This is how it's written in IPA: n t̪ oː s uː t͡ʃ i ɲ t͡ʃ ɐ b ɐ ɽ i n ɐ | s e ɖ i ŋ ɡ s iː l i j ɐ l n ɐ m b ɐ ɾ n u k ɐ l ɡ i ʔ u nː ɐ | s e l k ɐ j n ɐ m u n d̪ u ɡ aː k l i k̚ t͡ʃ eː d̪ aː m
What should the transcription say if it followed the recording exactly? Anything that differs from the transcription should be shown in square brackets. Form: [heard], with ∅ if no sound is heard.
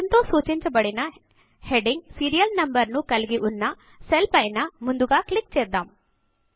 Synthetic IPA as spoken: n t̪ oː s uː t͡ʃ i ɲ t͡ʃ ɐ b ɐ ɽ i n ɐ | [h] e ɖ i ŋ ɡ s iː [ɾ] i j ɐ l n ɐ m b ɐ ɾ n u k ɐ l ɡ i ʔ u nː ɐ | s e l [p] ɐ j n ɐ m u n d̪ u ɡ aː k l i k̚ t͡ʃ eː d̪ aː m